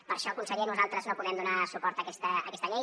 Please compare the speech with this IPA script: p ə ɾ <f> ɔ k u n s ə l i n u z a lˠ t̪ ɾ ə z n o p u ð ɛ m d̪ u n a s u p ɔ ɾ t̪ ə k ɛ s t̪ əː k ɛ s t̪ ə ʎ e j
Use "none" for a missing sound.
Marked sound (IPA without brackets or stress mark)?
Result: ʃ